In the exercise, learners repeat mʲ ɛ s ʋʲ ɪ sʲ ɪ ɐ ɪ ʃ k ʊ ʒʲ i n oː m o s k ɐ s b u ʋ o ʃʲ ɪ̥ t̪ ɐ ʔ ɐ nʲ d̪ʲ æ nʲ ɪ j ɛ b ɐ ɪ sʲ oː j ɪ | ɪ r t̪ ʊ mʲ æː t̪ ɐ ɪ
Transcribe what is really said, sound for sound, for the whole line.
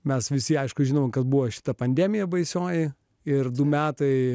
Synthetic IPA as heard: mʲ ɛ s ʋʲ ɪ sʲ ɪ ɐ ɪ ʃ k ʊ ʒʲ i n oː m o k ɐ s b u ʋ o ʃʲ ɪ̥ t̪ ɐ p ɐ nʲ d̪ʲ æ mʲ ɪ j ɛ b ɐ ɪ sʲ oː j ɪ | ɪ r d̪ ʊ mʲ æː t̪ ɐ ɪ